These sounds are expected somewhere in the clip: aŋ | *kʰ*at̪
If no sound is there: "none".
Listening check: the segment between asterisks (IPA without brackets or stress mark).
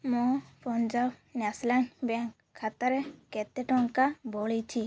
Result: kʰ